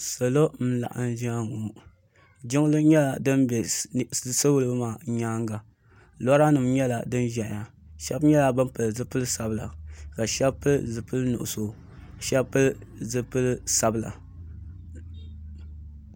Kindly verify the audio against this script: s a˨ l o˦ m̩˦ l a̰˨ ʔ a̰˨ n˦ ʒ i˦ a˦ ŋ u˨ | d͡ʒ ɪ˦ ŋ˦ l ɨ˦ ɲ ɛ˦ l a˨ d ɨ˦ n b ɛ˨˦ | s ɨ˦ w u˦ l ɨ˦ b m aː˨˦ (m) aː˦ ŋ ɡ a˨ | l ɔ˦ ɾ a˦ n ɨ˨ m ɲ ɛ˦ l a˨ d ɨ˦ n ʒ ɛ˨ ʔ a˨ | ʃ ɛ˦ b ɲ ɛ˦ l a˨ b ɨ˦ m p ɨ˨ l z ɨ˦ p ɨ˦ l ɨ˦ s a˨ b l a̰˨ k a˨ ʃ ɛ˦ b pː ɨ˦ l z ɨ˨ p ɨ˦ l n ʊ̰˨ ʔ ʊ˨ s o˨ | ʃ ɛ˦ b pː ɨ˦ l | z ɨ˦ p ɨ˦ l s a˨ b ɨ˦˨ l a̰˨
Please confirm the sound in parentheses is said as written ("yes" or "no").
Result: no